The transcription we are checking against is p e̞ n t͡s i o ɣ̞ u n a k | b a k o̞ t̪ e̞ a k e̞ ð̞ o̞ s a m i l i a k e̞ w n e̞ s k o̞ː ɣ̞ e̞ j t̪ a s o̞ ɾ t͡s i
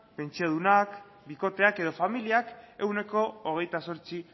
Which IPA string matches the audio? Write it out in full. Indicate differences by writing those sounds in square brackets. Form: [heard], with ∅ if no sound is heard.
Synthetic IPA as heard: p e̞ n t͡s i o [ð̞] u n a k | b [i] k o̞ t̪ e̞ a k e̞ ð̞ o̞ [f] a m i l i a k e̞ w n e̞ [∅] k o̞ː ɣ̞ e̞ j t̪ a s o̞ ɾ t͡s i